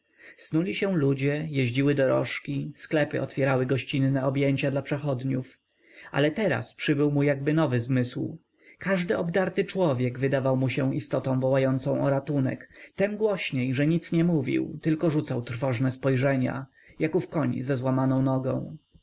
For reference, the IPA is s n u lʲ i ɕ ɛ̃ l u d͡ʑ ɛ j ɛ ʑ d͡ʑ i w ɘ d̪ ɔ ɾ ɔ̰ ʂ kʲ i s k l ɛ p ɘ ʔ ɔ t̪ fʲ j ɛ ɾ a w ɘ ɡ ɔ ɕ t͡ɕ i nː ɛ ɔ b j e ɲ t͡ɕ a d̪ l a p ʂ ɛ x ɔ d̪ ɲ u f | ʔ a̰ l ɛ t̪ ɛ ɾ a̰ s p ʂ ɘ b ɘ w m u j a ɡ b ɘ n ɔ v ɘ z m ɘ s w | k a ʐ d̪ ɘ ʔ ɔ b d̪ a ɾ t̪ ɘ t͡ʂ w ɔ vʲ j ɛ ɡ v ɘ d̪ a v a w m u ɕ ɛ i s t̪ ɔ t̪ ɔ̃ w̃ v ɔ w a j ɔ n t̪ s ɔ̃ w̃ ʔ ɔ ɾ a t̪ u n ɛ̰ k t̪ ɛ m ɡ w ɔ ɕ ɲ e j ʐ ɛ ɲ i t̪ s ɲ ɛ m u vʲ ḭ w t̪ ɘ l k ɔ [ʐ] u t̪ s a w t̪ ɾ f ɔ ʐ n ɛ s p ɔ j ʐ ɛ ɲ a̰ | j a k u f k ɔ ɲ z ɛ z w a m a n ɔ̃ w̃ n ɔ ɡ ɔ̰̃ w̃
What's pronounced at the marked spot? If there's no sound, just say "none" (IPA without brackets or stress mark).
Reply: ʐ